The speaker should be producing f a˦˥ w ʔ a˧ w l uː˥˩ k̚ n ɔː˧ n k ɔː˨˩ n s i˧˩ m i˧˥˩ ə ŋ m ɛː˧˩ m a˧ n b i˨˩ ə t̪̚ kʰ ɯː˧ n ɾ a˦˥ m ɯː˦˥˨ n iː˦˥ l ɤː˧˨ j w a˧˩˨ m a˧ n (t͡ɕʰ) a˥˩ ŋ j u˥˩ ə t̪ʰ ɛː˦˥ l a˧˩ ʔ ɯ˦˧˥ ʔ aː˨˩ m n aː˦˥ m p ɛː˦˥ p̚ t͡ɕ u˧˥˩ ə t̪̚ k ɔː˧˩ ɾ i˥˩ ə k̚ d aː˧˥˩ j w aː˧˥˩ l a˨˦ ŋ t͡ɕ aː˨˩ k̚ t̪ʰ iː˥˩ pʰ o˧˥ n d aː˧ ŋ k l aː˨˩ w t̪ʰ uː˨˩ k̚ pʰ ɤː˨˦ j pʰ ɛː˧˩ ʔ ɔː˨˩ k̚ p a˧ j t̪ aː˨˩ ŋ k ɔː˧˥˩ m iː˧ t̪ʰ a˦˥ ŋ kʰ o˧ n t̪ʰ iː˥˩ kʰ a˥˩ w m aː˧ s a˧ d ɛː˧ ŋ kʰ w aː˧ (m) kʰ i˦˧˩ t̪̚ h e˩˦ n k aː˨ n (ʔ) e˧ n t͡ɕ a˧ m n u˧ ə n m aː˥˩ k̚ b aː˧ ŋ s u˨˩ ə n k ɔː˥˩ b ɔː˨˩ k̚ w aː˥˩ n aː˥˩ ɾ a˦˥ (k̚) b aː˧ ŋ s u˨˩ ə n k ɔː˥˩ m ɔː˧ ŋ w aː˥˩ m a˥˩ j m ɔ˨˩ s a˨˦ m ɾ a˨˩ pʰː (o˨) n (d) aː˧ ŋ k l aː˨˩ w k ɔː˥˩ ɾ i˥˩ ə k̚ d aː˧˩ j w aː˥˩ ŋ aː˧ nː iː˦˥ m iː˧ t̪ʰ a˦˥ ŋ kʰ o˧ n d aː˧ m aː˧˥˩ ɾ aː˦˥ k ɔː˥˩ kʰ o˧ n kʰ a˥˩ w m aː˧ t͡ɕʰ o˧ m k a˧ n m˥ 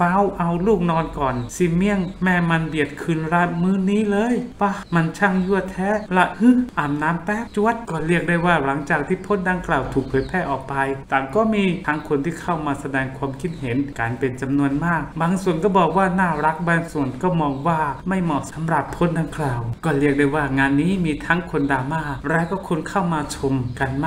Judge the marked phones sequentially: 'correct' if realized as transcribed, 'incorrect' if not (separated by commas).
correct, correct, incorrect, correct, incorrect, correct